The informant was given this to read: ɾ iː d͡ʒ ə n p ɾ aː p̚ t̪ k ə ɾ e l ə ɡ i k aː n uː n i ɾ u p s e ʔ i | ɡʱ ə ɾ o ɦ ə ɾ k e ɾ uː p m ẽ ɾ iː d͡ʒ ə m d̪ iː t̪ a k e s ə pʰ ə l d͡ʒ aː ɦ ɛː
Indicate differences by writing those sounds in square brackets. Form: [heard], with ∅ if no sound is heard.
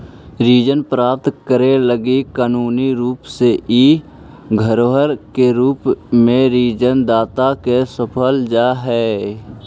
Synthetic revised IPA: ɾ iː d͡ʒ ə n p ɾ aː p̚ t̪ k ə ɾ e l ə ɡ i k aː n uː n i ɾ [uː] p s e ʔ i | ɡʱ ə ɾ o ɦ ə ɾ k e ɾ uː p m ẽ ɾ iː d͡ʒ ə [n] d̪ [aː] t̪ a k e s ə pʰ ə l d͡ʒ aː ɦ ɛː